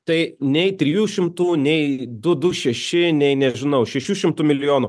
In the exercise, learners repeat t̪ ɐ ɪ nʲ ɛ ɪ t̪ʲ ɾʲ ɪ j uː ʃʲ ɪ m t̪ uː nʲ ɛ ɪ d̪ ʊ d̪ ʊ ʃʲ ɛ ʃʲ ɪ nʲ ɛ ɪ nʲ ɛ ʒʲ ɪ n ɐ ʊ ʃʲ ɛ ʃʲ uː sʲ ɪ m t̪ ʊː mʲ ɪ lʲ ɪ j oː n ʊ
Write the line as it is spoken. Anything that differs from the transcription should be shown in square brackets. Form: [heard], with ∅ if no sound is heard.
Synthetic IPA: t̪ ɐ ɪ nʲ ɛ ɪ t̪ʲ ɾʲ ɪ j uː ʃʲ ɪ m t̪ uː nʲ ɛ ɪ d̪ ʊ d̪ ʊ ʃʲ ɛ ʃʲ ɪ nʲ ɛ ɪ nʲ ɛ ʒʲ ɪ n ɐ ʊ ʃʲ ɛ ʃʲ uː [ʃʲ] ɪ m t̪ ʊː mʲ ɪ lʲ ɪ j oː n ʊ